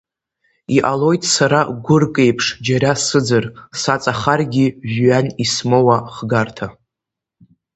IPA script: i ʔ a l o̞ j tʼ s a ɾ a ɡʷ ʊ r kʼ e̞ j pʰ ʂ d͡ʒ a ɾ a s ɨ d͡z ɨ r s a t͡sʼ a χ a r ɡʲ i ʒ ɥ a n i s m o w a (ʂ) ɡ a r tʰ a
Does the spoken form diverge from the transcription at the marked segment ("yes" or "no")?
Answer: yes